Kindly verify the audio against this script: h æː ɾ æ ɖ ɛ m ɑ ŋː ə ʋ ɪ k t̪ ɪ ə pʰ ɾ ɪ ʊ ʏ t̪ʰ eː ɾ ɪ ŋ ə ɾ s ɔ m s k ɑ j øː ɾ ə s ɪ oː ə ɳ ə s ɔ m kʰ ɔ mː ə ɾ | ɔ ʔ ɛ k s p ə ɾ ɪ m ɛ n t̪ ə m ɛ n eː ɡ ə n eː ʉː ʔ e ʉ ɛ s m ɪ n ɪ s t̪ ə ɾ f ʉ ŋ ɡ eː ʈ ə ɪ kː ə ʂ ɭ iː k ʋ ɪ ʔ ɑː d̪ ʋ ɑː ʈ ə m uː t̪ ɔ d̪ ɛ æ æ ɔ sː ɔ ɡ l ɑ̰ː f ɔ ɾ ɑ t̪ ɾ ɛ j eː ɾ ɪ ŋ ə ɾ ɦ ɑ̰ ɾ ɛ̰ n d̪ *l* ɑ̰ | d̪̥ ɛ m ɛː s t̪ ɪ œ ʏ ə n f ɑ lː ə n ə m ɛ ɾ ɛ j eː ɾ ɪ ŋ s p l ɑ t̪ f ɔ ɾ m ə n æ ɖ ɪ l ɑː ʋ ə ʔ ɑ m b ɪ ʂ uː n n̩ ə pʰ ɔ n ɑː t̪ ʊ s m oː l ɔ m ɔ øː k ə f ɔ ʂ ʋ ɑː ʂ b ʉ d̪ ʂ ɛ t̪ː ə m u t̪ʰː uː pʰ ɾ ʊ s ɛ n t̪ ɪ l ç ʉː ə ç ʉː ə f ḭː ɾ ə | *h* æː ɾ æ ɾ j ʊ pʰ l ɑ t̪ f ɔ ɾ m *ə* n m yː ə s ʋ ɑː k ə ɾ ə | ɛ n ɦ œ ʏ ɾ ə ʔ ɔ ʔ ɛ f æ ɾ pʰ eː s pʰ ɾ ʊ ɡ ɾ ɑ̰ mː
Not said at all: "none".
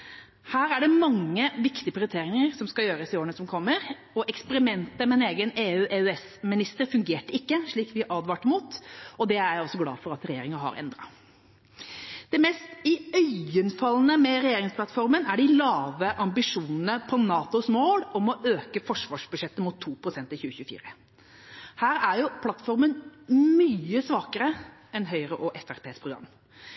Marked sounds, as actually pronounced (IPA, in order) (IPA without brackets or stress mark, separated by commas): ɾ, h, ə